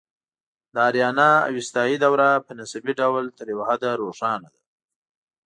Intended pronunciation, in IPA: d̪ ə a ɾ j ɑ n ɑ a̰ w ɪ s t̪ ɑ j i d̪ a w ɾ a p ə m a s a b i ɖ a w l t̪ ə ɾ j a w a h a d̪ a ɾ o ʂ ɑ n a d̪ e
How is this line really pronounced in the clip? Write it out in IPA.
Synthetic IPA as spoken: d̪ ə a ɾ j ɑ n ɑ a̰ w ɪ s t̪ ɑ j i d̪ a w ɾ a p ə n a s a b i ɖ a w l t̪ ə ɾ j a w a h a d̪ a ɾ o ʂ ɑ n a d̪ a